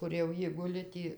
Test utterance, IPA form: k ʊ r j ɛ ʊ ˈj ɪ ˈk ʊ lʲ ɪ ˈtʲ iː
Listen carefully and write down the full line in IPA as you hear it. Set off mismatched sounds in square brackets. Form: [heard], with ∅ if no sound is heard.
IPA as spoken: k ʊ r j ɛ ʊ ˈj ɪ [ˈɡ] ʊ lʲ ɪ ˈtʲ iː